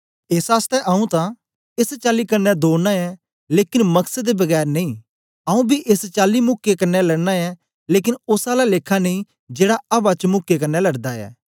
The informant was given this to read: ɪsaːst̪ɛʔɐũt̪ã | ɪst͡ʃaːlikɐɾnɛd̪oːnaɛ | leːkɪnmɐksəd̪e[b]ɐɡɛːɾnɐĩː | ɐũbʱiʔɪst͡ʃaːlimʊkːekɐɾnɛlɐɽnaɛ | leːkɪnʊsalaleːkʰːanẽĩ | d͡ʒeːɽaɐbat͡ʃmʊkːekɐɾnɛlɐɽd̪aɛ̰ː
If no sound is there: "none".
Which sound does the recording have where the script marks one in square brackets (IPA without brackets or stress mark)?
b